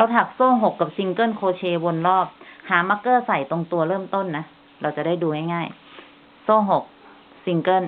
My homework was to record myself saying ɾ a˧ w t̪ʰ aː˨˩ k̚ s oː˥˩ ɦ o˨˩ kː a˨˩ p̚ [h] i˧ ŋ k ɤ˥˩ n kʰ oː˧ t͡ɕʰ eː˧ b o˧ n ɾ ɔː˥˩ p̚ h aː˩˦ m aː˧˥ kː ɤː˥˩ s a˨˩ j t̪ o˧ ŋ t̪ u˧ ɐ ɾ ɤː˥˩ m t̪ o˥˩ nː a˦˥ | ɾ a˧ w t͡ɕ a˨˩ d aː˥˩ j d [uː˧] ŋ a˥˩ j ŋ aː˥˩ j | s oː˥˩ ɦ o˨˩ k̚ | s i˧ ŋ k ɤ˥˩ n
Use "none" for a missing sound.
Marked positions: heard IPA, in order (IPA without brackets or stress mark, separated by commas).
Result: s, uː˧